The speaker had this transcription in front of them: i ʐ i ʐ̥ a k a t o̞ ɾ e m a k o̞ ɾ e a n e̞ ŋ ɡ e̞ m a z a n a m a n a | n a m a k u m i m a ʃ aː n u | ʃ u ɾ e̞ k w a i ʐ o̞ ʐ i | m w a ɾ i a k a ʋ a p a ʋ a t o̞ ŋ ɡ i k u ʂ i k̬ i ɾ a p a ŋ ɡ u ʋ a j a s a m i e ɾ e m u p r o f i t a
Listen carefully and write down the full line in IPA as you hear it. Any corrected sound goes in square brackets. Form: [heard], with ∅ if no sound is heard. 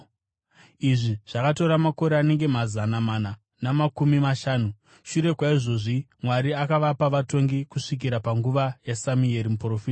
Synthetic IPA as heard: i ʐ i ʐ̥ a k a t o̞ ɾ [a] m a k o̞ ɾ e a n e̞ ŋ ɡ e̞ m a z a n a m a n a | n a m a k u m i m a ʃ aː n u | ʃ u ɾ e̞ k w a i ʐ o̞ ʐ i | m w a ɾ i a k a ʋ a p a ʋ a t o̞ ŋ ɡ i k u ʂ i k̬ i ɾ a p a ŋ ɡ u ʋ a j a s a m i e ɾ [i] m u p r o f i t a

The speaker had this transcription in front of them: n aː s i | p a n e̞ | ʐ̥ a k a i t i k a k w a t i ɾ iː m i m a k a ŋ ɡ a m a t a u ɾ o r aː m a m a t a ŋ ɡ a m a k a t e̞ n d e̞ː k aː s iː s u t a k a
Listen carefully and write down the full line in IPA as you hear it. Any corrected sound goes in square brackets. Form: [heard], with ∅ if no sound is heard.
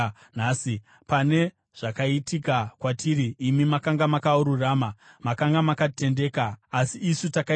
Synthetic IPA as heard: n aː s i | p a n e̞ | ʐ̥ a k a i t i k a k w a t i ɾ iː m i m a k a ŋ ɡ a m a [k] a u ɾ [u] r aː m a m a [k] a ŋ ɡ a m a k a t e̞ n d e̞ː k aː s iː s u t a k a

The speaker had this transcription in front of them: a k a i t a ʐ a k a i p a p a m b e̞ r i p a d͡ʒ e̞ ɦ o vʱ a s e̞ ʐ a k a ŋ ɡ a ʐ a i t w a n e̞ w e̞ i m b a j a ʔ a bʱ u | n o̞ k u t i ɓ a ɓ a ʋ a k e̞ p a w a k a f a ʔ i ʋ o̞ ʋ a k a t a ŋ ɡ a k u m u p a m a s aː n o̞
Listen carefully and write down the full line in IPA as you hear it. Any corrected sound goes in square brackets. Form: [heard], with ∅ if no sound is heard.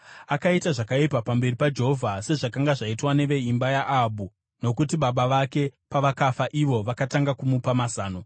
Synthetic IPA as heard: a k a i t a ʐ a k a i p a p a m b e̞ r i p a d͡ʒ e̞ ɦ o vʱ a s e̞ ʐ a k a ŋ ɡ a ʐ a i t w a n e̞ [ʋ] e̞ i m b a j a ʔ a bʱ u | n o̞ k u t i ɓ a ɓ a ʋ a k e̞ p a [ʋ] a k a f a ʔ i ʋ o̞ ʋ a k a t a ŋ ɡ a k u m u p a m a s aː n o̞

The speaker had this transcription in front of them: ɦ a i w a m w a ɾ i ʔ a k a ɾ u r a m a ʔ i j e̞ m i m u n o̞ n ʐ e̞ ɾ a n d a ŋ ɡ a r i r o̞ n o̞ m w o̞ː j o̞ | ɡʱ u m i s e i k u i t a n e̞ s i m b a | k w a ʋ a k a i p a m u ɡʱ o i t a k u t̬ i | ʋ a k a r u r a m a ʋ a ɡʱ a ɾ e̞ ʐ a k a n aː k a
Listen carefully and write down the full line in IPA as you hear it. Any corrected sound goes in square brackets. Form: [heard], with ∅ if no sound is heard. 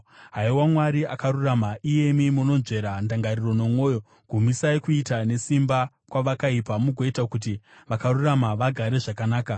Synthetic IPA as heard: ɦ a i w a m w a ɾ i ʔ a k a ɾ u r a m a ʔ i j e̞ m i m u n o̞ n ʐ e̞ ɾ a n d a ŋ ɡ a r i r o̞ n o̞ m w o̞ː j o̞ | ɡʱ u m i s [a] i k u i t a n e̞ s i m b a | k w a ʋ a k a i p a m u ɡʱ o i t a k u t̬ i | ʋ a k a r u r a m a ʋ a ɡʱ a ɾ e̞ ʐ a k a n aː k a

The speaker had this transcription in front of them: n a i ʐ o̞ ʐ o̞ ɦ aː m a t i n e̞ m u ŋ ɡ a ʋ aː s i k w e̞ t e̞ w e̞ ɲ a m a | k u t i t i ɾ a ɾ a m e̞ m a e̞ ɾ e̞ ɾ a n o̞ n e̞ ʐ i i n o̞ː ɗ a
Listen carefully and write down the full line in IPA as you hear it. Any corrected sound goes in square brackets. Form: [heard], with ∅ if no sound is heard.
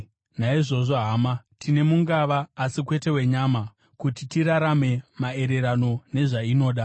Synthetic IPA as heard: n a i ʐ o̞ ʐ o̞ ɦ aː m a t i n e̞ m u ŋ ɡ a ʋ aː s i k w e̞ t e̞ w e̞ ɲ a m a | k u t i t i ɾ a ɾ a m e̞ m a e̞ ɾ e̞ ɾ a n o̞ n e̞ ʐ [a] i n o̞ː ɗ a

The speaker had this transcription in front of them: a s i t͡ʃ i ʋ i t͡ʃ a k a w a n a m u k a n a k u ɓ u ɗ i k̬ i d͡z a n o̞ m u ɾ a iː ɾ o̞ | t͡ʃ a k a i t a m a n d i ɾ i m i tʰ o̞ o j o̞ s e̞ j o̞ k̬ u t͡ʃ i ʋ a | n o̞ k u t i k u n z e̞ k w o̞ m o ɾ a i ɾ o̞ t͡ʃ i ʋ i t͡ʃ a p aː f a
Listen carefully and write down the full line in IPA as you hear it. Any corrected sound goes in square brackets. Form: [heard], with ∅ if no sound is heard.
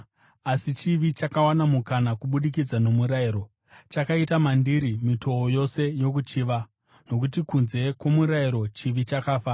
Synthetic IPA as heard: a s i t͡ʃ i ʋ i t͡ʃ a k a w a n a m u k a n a k u ɓ u ɗ i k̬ i d͡z a n o̞ m u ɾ a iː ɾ o̞ | t͡ʃ a k a i t a m a n d i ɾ i m i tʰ o̞ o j o̞ s e̞ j o̞ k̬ u t͡ʃ i ʋ a | n o̞ k u t i k u n z e̞ k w o̞ m [u] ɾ a i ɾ o̞ t͡ʃ i ʋ i t͡ʃ a [k] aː f a

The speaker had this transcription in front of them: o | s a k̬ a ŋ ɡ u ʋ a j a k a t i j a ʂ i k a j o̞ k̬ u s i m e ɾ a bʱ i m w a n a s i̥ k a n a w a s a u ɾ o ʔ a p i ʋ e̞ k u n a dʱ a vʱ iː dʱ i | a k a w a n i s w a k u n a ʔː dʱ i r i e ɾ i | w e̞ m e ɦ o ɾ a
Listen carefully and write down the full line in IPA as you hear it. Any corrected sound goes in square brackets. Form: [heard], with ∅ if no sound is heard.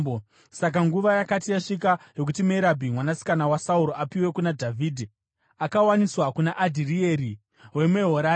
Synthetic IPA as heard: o | s a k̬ a ŋ ɡ u ʋ a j a k a t i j a ʂ i k a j o̞ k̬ u [t] i m e ɾ a bʱ i m w a n a s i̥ k a n a w a s a u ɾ o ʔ a p i [w] e̞ k u n a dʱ a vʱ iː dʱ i | a k a w a n i s w a k u n a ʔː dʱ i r i e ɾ i | w e̞ m e ɦ o ɾ a

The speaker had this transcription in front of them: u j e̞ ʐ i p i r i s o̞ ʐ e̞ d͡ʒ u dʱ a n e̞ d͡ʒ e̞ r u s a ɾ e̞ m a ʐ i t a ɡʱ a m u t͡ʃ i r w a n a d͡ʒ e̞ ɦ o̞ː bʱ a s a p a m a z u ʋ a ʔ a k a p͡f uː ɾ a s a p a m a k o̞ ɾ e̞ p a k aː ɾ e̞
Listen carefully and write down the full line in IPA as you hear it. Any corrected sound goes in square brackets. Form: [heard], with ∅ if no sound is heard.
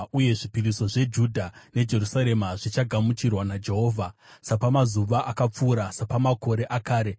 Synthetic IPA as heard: u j e̞ ʐ i p i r i s o̞ ʐ e̞ d͡ʒ u dʱ a n e̞ d͡ʒ e̞ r u s a ɾ e̞ m a ʐ i [t͡ʃ] a ɡʱ a m u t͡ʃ i r w a n a d͡ʒ e̞ ɦ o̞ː [vʱ] a s a p a m a z u ʋ a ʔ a k a p͡f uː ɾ a s a p a m a k o̞ ɾ e̞ [ʔ] a k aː ɾ e̞

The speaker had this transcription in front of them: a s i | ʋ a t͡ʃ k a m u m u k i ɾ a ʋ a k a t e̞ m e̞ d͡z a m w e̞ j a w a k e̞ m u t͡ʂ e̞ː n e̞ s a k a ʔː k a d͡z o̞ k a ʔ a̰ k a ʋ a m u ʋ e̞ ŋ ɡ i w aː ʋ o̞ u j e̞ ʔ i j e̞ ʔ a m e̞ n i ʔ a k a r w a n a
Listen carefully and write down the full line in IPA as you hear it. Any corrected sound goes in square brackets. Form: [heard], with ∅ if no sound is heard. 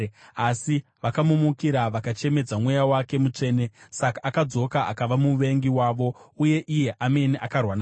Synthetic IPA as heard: a s i | ʋ a [∅] k a m u m u k i ɾ a ʋ a k a [t͡ʃ] e̞ m e̞ d͡z a m w e̞ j a w a k e̞ m u t͡ʂ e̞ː n e̞ s a k a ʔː k a d͡z o̞ k a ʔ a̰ k a ʋ a m u ʋ e̞ ŋ ɡ i w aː ʋ o̞ u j e̞ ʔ i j e̞ ʔ a m e̞ n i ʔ a k a r w a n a

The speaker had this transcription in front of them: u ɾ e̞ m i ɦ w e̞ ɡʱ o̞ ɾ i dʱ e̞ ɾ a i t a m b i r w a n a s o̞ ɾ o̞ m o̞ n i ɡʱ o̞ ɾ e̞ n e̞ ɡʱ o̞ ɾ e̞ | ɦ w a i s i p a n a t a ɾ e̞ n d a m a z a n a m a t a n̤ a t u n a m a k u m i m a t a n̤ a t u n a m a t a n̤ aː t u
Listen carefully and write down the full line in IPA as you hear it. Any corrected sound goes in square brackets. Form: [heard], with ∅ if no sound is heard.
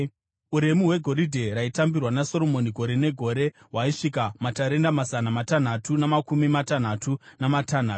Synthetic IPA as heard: u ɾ e̞ m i ɦ w e̞ ɡʱ o̞ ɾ i dʱ e̞ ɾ a i t a m b i r w a n a s o̞ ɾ o̞ m o̞ n i ɡʱ o̞ ɾ e̞ n e̞ ɡʱ o̞ ɾ e̞ | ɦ w a i [ʂ] i [k] a [m] a t a ɾ e̞ n d a m a z a n a m a t a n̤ a t u n a m a k u m i m a t a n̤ a t u n a m a t a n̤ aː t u

